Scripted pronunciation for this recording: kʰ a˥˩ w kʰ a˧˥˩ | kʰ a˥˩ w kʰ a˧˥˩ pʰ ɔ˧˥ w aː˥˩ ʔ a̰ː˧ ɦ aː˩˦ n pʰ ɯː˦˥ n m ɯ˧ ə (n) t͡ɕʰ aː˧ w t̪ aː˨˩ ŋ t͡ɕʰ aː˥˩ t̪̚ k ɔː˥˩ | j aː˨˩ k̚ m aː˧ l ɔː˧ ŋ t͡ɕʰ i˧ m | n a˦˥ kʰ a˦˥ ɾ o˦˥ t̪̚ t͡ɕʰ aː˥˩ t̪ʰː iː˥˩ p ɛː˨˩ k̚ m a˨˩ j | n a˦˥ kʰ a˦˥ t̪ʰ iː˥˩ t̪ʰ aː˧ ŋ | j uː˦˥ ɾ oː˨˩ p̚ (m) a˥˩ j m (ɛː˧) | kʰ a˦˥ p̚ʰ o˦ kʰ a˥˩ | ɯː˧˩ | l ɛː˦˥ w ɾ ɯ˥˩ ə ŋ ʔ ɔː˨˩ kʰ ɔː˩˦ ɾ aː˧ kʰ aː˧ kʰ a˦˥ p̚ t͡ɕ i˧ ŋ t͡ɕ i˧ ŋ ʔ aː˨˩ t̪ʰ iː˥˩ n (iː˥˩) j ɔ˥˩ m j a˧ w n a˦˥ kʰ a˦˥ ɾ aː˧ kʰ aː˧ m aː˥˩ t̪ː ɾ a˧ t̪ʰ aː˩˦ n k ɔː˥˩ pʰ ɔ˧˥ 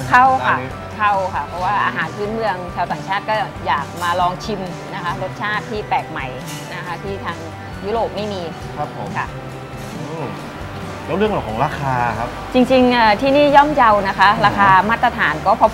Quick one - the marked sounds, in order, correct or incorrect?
incorrect, correct, incorrect, correct

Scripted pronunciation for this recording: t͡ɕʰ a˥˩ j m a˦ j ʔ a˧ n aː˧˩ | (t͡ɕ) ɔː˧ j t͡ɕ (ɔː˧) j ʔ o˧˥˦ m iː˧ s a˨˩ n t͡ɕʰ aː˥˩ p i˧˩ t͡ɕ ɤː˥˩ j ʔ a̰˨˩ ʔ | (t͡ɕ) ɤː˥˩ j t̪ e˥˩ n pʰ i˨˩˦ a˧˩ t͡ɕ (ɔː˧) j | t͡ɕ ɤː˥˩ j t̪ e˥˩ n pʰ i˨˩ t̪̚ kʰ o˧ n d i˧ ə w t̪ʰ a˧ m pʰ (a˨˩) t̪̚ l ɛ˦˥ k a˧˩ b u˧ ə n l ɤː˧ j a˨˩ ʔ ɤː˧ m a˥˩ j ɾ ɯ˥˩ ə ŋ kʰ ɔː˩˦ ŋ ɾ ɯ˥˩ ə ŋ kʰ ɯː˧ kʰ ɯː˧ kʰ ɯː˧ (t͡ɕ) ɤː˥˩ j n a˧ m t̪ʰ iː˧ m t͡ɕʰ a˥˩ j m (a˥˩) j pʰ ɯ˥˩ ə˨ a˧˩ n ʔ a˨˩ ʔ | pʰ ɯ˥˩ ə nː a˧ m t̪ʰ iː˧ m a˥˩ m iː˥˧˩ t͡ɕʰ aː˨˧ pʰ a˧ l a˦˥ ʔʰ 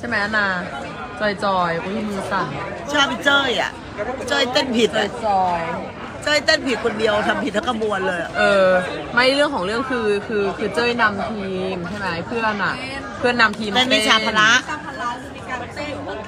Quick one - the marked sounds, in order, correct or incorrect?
correct, correct, correct, correct, incorrect, correct, incorrect

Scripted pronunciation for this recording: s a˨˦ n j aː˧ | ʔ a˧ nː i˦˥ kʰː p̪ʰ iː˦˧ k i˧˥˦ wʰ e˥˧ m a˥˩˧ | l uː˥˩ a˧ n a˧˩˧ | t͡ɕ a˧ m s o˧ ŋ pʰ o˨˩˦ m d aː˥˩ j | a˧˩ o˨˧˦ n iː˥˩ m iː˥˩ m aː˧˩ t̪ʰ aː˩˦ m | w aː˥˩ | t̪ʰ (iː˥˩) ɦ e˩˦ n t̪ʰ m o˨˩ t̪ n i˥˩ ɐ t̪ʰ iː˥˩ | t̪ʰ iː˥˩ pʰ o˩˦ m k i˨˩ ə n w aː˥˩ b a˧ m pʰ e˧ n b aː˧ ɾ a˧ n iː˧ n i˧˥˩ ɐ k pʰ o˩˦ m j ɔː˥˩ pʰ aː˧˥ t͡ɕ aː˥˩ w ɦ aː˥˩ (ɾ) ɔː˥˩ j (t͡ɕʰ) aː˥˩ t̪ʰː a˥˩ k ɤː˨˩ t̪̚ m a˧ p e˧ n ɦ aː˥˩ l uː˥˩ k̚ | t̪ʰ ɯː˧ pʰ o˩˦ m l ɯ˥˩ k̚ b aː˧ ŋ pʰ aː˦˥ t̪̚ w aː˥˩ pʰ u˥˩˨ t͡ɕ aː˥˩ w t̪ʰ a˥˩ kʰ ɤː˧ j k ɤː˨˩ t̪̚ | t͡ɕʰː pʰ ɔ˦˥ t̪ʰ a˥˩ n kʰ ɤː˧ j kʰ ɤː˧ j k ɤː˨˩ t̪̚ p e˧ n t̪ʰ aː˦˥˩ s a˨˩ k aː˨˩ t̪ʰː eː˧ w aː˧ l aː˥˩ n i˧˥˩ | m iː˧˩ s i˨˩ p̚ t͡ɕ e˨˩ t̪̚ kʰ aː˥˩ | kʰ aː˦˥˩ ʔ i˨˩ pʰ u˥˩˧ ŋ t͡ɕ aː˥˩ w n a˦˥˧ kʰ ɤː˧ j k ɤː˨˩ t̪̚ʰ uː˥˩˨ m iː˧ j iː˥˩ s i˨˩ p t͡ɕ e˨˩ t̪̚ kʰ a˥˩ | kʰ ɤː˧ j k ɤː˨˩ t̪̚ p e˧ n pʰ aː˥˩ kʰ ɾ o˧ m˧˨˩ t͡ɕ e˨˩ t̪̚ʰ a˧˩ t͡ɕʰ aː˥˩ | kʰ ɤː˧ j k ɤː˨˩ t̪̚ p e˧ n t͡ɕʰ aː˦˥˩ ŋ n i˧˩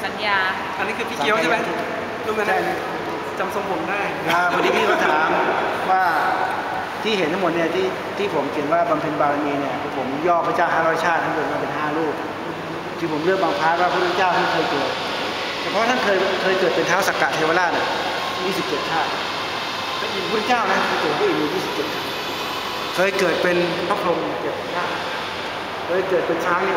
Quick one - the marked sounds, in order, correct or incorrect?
correct, correct, correct

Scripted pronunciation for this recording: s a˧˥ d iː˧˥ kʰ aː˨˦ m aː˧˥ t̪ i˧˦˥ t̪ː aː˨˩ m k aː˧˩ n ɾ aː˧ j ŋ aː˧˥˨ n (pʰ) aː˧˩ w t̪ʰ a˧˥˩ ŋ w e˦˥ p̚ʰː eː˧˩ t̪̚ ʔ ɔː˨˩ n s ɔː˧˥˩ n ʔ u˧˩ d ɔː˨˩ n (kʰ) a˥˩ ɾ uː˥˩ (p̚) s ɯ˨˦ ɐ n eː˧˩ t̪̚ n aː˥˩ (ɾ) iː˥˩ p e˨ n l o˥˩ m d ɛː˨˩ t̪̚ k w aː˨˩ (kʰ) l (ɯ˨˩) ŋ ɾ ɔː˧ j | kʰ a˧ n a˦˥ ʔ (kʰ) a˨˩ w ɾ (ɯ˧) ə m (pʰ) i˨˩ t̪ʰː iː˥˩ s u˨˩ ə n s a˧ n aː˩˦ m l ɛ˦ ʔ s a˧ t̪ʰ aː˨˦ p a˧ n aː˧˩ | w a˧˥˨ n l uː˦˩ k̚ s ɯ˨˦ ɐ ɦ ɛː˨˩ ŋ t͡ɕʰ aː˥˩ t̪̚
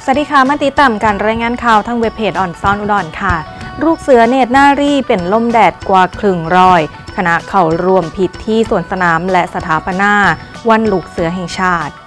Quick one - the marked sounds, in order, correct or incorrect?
incorrect, correct, incorrect, correct, correct, correct, correct, incorrect, correct

